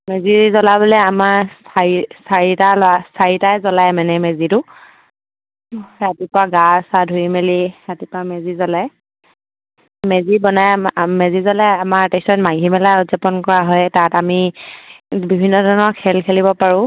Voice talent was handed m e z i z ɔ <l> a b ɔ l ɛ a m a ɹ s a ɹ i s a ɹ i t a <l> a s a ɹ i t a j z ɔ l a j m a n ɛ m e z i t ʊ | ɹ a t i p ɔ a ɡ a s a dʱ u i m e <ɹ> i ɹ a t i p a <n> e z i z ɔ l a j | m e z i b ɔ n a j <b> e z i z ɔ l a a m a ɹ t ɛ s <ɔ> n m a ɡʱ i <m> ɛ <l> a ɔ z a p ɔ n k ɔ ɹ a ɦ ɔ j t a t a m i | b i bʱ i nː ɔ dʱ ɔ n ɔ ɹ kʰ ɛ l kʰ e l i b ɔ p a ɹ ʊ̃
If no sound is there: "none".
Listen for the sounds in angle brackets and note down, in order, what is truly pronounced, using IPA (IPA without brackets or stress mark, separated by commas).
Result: l, l, l, m, m, ɔ, m, l